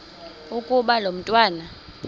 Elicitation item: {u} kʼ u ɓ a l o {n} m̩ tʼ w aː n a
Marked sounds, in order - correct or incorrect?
correct, incorrect: none

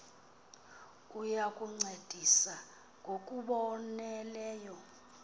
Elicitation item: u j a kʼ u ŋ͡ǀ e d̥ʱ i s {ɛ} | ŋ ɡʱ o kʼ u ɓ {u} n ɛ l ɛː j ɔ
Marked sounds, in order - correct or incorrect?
incorrect: a, incorrect: ɔ

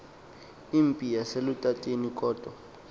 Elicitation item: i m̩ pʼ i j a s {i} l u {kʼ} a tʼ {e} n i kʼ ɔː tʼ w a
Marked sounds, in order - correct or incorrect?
incorrect: e, incorrect: tʼ, correct

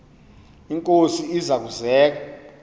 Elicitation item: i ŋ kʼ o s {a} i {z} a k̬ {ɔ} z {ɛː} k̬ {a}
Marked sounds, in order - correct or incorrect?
incorrect: i, correct, incorrect: u, correct, correct

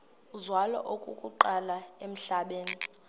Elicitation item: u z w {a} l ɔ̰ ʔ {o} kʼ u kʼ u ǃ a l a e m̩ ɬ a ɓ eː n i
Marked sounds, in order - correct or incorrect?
correct, correct

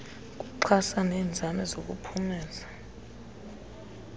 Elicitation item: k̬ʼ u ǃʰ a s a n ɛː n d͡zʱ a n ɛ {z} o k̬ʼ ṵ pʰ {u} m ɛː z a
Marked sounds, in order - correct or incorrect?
correct, correct

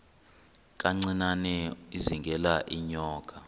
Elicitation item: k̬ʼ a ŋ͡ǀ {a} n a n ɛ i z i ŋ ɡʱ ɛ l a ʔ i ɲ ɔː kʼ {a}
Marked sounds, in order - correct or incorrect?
incorrect: i, correct

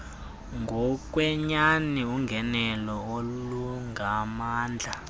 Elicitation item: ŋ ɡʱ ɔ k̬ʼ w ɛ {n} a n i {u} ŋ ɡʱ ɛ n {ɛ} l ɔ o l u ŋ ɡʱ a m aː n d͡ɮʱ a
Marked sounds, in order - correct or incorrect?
incorrect: ɲ, correct, correct

